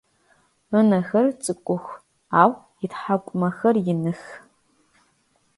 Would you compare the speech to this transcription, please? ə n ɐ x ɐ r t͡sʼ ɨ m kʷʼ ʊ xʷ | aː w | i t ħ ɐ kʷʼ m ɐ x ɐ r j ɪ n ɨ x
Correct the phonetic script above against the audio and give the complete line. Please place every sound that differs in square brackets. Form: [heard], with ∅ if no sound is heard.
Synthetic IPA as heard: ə n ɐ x ɐ r t͡sʼ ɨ [∅] kʷʼ ʊ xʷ | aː w | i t ħ [a] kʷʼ m ɐ x ɐ r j ɪ n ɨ x